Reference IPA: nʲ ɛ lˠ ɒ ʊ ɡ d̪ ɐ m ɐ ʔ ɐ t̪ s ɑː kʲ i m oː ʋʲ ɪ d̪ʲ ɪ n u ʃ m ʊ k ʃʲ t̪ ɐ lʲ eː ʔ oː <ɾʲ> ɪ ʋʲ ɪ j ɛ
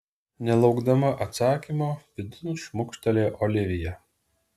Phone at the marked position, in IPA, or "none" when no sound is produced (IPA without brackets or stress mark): lʲ